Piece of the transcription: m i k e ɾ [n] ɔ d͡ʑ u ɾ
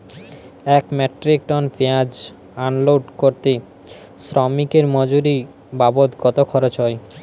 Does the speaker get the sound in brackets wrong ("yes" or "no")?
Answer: yes